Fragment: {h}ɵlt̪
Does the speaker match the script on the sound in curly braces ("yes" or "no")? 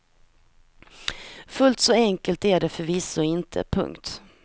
no